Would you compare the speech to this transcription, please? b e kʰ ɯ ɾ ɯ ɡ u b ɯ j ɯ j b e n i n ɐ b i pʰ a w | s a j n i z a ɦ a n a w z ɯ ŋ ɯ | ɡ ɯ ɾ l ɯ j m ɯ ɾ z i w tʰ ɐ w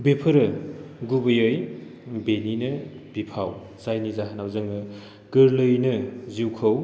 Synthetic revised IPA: b e pʰ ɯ ɾ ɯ ɡ u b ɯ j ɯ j b e n i n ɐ b i pʰ a w | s a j n i z a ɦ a n a w z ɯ ŋ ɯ | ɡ ɯ ɾ l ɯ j n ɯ z i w kʰ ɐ w

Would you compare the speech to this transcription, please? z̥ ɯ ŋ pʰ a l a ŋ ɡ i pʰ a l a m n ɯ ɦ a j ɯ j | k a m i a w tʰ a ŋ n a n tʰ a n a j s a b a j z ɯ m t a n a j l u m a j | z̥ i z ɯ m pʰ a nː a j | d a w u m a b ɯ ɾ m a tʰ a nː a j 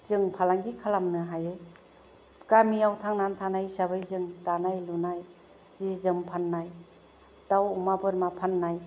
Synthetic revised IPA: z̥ ɯ ŋ pʰ a l a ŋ ɡ i kʰ a l a m n ɯ ɦ a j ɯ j | k a m i a w tʰ a ŋ n a n tʰ a n a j s a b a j z ɯ ŋ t a n a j l u n a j | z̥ i z ɯ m pʰ a nː a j | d a w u m a b ɯ ɾ m a pʰ a nː a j

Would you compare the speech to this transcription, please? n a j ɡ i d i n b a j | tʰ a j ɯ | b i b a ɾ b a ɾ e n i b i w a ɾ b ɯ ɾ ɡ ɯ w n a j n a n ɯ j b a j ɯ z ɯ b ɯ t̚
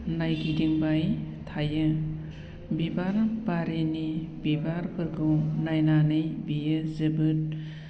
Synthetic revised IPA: n a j ɡ i d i ŋ b a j | tʰ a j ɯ | b i b a ɾ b a ɾ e n i b i b a ɾ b ɯ ɾ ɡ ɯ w n a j n a n ɯ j b i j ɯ z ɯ b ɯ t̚

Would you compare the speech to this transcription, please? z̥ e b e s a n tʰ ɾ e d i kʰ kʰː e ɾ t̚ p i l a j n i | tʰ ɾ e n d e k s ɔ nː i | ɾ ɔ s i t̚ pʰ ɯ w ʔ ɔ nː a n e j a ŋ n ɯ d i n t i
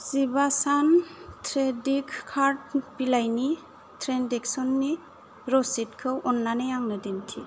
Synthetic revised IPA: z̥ i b a s a n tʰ ɾ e d i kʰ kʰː a ɾ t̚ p i l a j n i | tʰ ɾ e n d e k s ɔ nː i | ɾ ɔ s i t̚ kʰ ɯ w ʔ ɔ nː a n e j a ŋ n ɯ d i n tʰ i

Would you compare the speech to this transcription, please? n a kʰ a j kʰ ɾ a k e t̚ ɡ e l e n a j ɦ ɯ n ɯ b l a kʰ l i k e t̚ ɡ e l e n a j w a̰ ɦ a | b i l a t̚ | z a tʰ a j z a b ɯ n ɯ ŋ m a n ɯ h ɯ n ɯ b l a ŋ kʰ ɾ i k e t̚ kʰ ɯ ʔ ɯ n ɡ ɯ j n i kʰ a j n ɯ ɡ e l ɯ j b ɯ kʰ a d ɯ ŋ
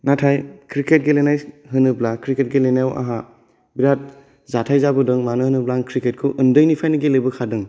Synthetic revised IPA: n a tʰ a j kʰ ɾ i k e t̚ ɡ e l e n a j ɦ ɯ n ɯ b l a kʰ ɾ i k e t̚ ɡ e l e n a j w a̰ ɦ a | b i ɾ a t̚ | z a tʰ a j z a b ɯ d ɯ ŋ m a n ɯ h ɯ n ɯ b l a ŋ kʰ ɾ i k e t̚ kʰ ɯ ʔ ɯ n d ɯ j n i pʰ a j n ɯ ɡ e l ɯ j b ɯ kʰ a d ɯ ŋ

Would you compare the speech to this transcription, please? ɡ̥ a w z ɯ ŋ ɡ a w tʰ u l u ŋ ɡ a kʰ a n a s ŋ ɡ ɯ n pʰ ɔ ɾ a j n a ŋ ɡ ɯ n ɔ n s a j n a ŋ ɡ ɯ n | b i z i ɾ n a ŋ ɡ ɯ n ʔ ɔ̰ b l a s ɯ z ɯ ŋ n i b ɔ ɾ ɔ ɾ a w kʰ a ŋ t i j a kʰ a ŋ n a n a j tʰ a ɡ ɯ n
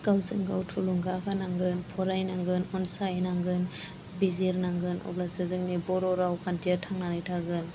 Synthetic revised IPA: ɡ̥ a w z ɯ ŋ ɡ a w tʰ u l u ŋ ɡ a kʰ a n a ŋ ɡ ɯ n pʰ ɔ ɾ a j n a ŋ ɡ ɯ n ɔ n s a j n a ŋ ɡ ɯ n | b i z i ɾ n a ŋ ɡ ɯ n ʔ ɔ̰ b l a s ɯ z ɯ ŋ n i b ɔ ɾ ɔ ɾ a w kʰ a n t i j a tʰ a ŋ n a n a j tʰ a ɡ ɯ n

